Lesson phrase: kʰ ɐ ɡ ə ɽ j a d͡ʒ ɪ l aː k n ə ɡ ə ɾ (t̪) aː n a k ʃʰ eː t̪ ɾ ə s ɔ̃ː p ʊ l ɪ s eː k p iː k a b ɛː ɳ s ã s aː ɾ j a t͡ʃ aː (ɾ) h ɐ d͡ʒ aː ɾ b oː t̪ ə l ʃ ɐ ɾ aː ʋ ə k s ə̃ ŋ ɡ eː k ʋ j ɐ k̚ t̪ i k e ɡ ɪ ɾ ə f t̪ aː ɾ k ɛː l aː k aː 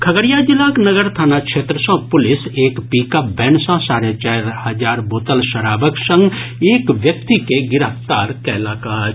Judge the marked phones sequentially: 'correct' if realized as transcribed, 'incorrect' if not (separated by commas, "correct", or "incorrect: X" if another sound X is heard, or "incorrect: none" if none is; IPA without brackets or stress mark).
incorrect: t̪ʰ, correct